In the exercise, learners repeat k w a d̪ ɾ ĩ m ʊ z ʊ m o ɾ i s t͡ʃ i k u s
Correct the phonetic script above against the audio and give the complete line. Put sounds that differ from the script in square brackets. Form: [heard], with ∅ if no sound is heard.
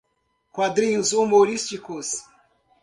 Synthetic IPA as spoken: k w a d̪ ɾ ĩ [ɲ] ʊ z [u] m o ɾ i s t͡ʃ i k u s